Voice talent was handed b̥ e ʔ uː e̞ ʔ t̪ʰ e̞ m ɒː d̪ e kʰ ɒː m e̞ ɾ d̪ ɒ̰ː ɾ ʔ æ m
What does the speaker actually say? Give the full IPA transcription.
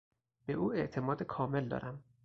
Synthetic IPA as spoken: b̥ e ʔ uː e̞ ʔ t̪ʰ e̞ m ɒː d̪ e kʰ ɒː m e̞ l d̪ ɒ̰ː ɾ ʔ æ m